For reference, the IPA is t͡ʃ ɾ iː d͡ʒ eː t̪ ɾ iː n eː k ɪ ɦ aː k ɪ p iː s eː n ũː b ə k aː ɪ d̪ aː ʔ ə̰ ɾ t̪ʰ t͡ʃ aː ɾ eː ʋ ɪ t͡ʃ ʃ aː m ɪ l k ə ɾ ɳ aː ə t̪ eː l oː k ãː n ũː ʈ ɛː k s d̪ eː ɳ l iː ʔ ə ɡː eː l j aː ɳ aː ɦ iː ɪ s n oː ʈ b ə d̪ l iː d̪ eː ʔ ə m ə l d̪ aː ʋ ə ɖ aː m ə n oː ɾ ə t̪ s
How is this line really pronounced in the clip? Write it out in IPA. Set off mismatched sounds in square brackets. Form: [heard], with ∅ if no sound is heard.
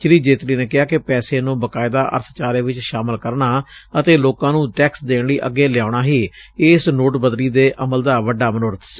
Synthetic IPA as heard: t͡ʃ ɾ iː d͡ʒ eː t̪ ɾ iː n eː k ɪ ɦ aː k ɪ p [ɛː] s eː n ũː b ə k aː ɪ d̪ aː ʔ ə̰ ɾ t̪ʰ t͡ʃ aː ɾ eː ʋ ɪ t͡ʃ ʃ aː m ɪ l k ə ɾ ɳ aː ə t̪ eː l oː k ãː n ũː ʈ ɛː k s d̪ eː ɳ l iː ʔ ə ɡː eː l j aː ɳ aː ɦ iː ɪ s n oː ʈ b ə d̪ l iː d̪ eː ʔ ə m ə l d̪ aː ʋ ə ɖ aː m ə n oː ɾ ə t̪ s